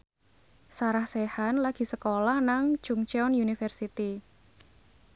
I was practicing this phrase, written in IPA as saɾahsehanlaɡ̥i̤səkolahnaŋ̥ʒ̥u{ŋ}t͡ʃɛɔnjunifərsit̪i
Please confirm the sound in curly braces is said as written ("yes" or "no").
yes